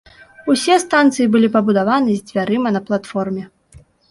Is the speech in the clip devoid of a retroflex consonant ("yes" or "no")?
yes